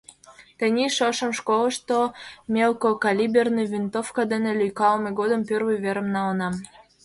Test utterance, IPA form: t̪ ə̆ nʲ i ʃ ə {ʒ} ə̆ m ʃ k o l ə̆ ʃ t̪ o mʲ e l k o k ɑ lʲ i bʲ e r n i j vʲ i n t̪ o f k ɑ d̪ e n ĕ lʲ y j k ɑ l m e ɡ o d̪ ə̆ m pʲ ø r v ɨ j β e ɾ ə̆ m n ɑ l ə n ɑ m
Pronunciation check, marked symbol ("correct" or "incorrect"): incorrect